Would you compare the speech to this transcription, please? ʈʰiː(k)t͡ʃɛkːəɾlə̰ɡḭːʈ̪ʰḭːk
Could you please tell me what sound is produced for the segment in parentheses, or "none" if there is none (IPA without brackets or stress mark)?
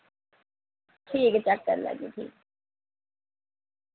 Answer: k